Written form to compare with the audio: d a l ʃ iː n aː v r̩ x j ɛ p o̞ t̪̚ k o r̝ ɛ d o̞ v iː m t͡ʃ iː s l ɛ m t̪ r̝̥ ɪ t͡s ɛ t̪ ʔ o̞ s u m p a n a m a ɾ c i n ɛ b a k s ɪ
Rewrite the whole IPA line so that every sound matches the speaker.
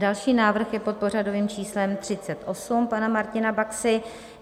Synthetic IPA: d a l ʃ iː n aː v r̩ x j ɛ p o̞ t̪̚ p o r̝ a d o̞ v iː m t͡ʃ iː s l ɛ m t̪ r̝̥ ɪ t͡s ɛ t̪ ʔ o̞ s u m p a n a m a ɾ c ɪ n a b a k s ɪ